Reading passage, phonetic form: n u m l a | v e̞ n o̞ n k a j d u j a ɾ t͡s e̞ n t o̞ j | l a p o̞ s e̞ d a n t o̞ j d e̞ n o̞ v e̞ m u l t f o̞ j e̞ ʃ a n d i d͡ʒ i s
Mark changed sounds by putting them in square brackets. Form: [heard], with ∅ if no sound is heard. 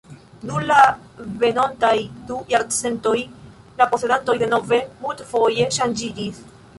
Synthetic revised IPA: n u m l a | v e̞ n o̞ n [t] a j d u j a ɾ t͡s e̞ n t o̞ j | l a p o̞ s e̞ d a n t o̞ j d e̞ n o̞ v e̞ m u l t f o̞ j e̞ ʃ a n [d͡ʒ] i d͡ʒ i s